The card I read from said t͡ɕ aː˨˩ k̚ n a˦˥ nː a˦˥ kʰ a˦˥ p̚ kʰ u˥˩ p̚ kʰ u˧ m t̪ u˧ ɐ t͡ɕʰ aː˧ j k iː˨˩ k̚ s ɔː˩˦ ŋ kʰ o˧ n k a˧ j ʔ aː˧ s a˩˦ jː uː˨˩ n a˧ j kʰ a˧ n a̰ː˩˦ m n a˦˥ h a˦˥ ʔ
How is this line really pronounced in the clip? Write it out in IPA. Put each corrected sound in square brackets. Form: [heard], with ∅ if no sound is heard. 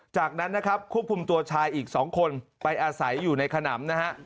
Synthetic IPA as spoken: t͡ɕ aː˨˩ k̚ n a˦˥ nː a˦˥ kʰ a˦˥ p̚ kʰ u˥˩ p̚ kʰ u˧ m t̪ u˧ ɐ t͡ɕʰ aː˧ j [ʔ] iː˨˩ k̚ s ɔː˩˦ ŋ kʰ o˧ n [p] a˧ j ʔ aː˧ s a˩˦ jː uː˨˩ n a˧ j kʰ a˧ n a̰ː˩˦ m n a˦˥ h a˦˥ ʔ